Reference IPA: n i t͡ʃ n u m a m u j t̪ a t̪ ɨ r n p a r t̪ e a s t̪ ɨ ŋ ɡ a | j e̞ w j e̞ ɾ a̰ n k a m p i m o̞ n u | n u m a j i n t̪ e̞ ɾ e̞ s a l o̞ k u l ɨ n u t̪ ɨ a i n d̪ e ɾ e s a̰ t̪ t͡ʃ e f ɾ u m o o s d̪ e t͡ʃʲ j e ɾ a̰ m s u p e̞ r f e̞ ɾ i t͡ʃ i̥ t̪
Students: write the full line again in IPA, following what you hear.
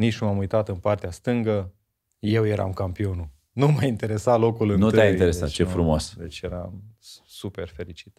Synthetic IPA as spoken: n i t͡ʃ n u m a m u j t̪ a t̪ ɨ n p a r t̪ e a s t̪ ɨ ŋ ɡ ə | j e̞ w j e̞ ɾ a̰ m k a m p i o̞ n u | n u m a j i n t̪ e̞ ɾ e̞ s a l o̞ k u l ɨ n u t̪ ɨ a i n t̪ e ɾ e s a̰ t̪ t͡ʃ e f ɾ u m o o s d̪ e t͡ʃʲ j e ɾ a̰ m s u p e̞ r f e̞ ɾ i t͡ʃ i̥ t̪